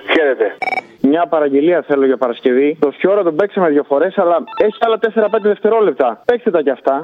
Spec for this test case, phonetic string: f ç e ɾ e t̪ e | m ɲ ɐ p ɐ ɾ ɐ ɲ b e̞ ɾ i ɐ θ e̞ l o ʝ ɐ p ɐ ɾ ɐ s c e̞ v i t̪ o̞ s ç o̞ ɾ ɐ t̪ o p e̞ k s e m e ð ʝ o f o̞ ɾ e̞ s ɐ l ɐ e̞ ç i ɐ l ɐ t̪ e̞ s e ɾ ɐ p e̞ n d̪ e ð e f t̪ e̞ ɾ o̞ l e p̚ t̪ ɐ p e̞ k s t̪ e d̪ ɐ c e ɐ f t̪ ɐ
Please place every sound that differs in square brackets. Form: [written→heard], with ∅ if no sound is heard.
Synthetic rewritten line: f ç e ɾ e t̪ e | m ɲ ɐ p ɐ ɾ ɐ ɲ [b→ɟ] e̞ [ɾ→l] i ɐ θ e̞ l o ʝ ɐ p ɐ ɾ ɐ s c e̞ v i t̪ o̞ s ç o̞ ɾ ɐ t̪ o [p→b] e̞ k s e m e ð ʝ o f o̞ ɾ e̞ s ɐ l ɐ e̞ ç i ɐ l ɐ t̪ e̞ s e ɾ ɐ p e̞ n d̪ e ð e f t̪ e̞ ɾ o̞ l e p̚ t̪ ɐ p e̞ k s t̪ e [d̪→t̪] ɐ c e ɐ f t̪ ɐ